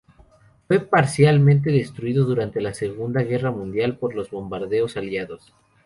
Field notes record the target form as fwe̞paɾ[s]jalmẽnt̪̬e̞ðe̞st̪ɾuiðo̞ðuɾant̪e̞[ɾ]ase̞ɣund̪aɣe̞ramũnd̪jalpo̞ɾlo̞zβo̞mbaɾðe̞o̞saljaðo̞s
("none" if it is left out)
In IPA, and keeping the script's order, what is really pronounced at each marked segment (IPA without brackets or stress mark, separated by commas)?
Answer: s, l